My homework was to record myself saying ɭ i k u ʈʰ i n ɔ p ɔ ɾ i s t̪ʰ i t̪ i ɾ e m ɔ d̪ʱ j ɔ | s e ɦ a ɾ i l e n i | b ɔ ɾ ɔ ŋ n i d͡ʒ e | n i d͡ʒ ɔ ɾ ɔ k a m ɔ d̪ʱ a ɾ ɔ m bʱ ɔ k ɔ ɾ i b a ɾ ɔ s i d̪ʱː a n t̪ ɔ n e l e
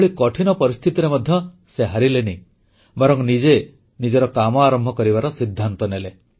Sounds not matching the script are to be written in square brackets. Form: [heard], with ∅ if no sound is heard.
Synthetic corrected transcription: ɭ i k [ɔ] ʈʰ i n ɔ p ɔ ɾ i s t̪ʰ i t̪ i ɾ e m ɔ d̪ʱ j ɔ | s e ɦ a ɾ i l e n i | b ɔ ɾ ɔ ŋ n i d͡ʒ e | n i d͡ʒ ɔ ɾ ɔ k a m ɔ [∅] a ɾ ɔ m bʱ ɔ k ɔ ɾ i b a ɾ ɔ s i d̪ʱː a n t̪ ɔ n e l e